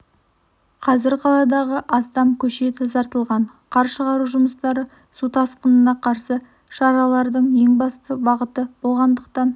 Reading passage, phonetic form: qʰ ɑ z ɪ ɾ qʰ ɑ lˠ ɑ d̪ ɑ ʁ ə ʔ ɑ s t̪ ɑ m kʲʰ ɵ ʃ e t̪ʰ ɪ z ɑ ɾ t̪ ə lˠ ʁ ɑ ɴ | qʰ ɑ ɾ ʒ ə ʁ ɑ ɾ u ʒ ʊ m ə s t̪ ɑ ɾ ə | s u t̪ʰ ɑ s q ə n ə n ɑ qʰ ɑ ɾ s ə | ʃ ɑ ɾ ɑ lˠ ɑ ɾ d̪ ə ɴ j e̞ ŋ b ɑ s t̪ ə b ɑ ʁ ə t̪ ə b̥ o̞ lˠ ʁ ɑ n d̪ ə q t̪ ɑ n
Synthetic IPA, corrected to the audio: qʰ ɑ z ɪ ɾ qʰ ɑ lˠ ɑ d̪ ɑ ʁ ə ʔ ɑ s t̪ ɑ m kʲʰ ɵ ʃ e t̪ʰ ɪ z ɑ ɾ t̪ ə lˠ ʁ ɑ ɴ | qʰ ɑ ɾ ʃ ə ʁ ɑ ɾ u ʒ ʊ m ə s t̪ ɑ ɾ ə | s u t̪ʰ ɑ s q ə n ə n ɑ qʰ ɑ ɾ s ə | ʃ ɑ ɾ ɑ lˠ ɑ ɾ d̪ ə ɴ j e̞ ŋ b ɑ s t̪ ə b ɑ ʁ ə t̪ ə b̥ o̞ lˠ ʁ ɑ n d̪ ə q t̪ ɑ n